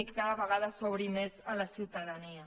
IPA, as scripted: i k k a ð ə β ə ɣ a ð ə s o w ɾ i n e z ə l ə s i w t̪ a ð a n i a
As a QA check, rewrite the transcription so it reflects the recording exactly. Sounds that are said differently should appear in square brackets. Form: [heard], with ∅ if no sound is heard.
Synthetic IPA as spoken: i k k a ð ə β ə ɣ a ð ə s o [β] ɾ i [m] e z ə l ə s i w t̪ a ð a n i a